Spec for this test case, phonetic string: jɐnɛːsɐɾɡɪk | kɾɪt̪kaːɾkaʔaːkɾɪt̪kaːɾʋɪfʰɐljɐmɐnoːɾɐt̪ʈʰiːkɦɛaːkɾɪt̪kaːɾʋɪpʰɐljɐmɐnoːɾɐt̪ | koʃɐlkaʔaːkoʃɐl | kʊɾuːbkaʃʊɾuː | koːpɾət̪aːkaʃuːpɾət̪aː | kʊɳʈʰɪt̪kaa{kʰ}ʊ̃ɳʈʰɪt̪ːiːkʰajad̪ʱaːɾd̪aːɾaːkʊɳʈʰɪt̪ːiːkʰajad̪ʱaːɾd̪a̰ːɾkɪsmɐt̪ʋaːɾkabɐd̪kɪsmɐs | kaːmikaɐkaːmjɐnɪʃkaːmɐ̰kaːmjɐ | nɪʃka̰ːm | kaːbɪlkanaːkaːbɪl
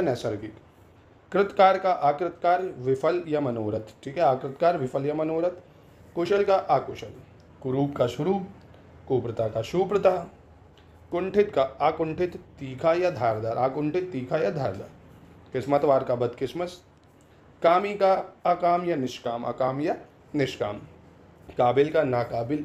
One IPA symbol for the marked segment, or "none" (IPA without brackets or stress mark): k